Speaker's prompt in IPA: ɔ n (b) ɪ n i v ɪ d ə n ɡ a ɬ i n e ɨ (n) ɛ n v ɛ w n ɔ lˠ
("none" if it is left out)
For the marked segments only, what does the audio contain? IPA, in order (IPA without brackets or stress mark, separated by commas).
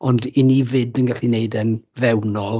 d, d